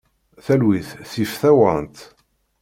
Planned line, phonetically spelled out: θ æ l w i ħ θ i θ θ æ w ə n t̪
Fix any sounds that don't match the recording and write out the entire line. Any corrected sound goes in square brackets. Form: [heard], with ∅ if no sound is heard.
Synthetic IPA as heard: θ æ l w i [θ] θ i [f] θ æ w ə n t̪